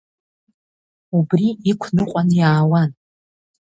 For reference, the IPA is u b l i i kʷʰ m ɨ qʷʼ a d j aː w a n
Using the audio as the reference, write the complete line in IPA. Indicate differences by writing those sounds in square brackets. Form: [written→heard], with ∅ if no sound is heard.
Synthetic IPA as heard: u b [l→r] i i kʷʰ [m→n] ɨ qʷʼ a [d→n] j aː w a n